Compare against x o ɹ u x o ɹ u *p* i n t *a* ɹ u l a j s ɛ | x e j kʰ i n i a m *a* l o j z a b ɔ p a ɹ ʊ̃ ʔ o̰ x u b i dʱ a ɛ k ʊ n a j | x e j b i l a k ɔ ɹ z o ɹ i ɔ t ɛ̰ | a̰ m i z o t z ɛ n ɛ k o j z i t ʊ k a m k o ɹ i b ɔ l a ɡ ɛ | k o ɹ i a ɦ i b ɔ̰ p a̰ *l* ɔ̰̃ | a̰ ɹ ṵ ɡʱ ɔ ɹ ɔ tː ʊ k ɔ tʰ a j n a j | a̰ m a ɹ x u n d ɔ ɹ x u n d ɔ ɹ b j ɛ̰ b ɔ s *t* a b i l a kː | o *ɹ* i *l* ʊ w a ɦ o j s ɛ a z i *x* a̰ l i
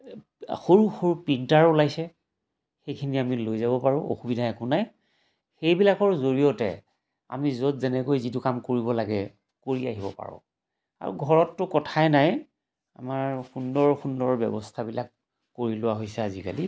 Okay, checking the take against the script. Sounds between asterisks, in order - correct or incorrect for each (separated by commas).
correct, correct, incorrect, incorrect, incorrect, correct, correct, incorrect